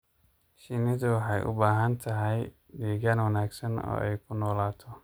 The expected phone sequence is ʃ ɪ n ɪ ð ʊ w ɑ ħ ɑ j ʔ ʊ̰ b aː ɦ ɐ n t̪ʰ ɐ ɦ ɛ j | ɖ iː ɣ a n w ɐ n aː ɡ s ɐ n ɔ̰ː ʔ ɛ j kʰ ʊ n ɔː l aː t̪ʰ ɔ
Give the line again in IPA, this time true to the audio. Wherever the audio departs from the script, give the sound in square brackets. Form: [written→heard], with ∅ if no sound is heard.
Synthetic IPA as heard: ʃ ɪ n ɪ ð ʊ w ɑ ħ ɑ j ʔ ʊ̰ b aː ɦ ɐ n t̪ʰ ɐ ɦ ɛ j | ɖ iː ɣ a n w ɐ n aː ɡ s ɐ n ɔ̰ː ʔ ɛ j kʰ ʊ n ɔː l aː t̪ʰ ɔ